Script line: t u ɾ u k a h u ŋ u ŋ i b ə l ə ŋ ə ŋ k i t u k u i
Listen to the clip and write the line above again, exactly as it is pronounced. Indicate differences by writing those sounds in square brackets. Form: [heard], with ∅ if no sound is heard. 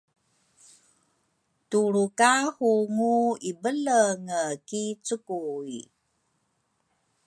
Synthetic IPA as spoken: t u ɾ u k a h u ŋ u [∅] i b ə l ə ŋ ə [∅] k i [t͡s] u k u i